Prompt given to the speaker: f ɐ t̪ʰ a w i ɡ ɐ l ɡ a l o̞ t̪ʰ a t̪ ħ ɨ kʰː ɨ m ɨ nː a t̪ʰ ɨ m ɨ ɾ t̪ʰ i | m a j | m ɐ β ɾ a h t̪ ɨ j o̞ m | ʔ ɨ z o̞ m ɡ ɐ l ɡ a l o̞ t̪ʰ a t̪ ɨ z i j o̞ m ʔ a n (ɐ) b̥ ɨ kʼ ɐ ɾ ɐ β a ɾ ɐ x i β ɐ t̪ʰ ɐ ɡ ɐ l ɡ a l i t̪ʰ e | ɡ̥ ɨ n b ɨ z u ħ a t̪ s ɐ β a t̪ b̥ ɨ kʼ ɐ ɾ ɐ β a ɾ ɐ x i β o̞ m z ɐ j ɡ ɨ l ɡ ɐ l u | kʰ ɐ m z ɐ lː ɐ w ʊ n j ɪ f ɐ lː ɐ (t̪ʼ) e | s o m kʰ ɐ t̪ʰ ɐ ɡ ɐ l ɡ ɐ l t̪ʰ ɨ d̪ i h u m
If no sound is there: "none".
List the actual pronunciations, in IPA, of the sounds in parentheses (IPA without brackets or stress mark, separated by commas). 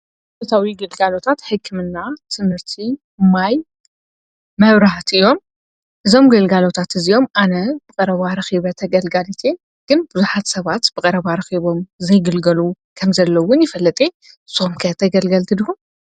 ɐ, t̪ʼ